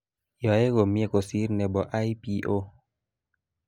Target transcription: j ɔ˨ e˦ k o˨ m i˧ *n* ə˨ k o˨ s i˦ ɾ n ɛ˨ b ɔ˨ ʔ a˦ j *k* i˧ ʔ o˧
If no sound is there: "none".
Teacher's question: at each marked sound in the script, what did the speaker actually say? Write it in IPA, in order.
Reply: none, p

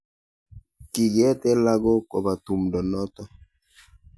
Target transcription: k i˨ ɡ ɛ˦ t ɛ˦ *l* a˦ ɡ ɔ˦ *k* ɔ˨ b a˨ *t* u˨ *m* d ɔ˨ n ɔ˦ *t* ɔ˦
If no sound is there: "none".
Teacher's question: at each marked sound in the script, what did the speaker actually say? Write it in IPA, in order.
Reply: l, k, t, m, t

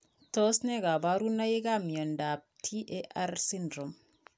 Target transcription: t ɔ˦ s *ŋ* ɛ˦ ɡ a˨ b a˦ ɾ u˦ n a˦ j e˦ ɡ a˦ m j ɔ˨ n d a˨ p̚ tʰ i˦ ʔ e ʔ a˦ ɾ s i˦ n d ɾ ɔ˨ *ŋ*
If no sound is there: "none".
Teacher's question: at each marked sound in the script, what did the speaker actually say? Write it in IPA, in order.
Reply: n, m

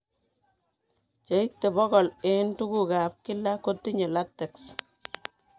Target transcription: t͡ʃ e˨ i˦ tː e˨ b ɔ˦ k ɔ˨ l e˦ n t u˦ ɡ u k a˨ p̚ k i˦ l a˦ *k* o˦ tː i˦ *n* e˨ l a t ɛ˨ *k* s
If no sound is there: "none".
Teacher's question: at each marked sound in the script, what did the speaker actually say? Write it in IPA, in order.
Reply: k, ɲ, k

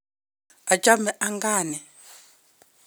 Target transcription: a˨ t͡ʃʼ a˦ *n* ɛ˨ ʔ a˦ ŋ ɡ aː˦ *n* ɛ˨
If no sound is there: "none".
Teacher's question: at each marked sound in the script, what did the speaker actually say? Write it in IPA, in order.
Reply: m, n

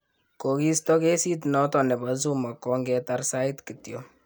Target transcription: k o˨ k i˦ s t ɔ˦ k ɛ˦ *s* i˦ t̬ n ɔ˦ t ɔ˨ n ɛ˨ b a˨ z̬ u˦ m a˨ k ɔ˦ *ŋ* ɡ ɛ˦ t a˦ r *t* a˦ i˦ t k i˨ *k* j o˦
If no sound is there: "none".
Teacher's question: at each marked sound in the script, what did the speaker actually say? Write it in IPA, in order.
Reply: s, ŋ, s, t

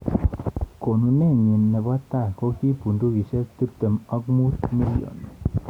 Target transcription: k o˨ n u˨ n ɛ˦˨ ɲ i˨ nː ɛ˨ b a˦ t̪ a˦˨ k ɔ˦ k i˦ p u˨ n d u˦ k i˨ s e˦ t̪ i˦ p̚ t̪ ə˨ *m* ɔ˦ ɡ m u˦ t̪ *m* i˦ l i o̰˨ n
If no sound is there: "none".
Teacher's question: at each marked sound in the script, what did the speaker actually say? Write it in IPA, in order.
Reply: m, m

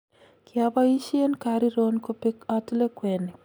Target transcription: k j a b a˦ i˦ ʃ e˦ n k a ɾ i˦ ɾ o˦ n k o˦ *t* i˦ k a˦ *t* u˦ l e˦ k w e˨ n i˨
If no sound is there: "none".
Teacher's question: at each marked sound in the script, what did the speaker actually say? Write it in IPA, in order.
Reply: p, t

